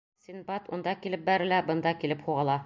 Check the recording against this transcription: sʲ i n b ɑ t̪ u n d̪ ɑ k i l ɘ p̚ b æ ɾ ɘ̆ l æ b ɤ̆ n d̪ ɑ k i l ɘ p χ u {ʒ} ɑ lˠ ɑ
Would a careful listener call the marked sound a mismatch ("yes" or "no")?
yes